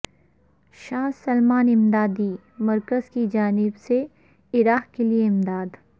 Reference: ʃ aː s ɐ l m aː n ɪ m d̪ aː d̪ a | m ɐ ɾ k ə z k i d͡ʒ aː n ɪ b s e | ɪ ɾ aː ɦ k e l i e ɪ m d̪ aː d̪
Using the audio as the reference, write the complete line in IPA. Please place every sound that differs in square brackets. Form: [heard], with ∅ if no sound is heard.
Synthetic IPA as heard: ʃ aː s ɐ l m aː n ɪ m d̪ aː d̪ [i] | m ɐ ɾ k ə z k i d͡ʒ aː n ɪ b s e | ɪ ɾ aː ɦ k e l i e ɪ m d̪ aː d̪